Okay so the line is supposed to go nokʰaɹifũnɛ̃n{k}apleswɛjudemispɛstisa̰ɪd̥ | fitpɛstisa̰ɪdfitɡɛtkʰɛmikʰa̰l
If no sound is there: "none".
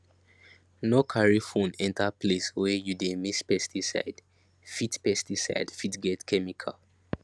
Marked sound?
t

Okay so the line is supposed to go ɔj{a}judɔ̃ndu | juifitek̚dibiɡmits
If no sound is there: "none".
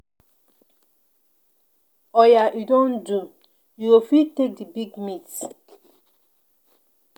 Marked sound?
a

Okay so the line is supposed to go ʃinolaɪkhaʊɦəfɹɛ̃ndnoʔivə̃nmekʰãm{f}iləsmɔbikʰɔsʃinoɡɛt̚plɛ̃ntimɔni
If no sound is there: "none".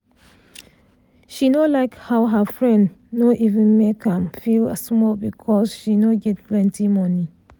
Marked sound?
f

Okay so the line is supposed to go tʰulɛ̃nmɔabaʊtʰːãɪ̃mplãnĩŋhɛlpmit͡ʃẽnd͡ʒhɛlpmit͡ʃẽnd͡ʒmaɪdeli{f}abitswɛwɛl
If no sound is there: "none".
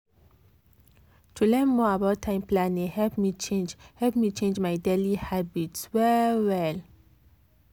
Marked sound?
h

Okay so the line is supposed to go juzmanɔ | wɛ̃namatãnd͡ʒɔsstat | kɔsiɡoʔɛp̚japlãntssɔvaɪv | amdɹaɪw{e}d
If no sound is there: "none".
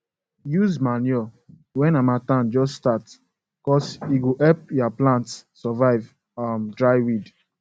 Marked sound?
i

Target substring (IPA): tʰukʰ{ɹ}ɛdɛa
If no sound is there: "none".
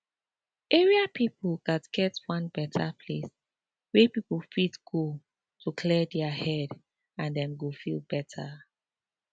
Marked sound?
l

